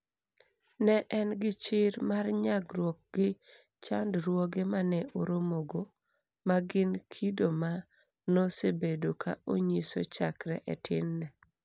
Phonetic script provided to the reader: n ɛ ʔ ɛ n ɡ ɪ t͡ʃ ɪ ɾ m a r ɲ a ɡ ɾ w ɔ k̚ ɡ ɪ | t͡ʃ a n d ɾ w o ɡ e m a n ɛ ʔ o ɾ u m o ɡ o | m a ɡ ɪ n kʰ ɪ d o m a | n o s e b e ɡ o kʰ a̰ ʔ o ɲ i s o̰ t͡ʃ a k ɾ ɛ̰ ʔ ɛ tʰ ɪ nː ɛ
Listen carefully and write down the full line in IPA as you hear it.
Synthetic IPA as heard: n ɛ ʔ ɛ n ɡ ɪ t͡ʃ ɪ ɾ m a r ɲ a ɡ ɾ w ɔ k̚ ɡ ɪ | t͡ʃ a n d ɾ w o ɡ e m a n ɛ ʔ o ɾ o m o ɡ o | m a ɡ ɪ n kʰ i d o m a | n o s e b e d o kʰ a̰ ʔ o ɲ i s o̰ t͡ʃ a k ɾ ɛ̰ ʔ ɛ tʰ ɪ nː ɛ